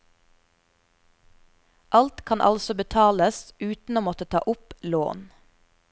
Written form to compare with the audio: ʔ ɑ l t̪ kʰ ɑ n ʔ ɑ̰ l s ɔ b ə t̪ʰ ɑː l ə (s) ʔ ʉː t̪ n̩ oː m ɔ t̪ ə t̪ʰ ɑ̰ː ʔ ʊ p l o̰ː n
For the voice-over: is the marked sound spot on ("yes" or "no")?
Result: yes